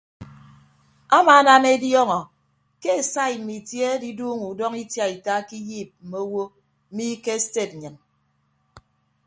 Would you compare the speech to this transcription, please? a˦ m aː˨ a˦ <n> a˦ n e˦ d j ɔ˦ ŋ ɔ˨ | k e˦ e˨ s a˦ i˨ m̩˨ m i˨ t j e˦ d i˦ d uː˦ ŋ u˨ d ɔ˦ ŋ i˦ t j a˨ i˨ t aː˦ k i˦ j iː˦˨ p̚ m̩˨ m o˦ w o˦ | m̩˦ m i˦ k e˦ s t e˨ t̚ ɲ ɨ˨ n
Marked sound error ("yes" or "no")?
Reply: no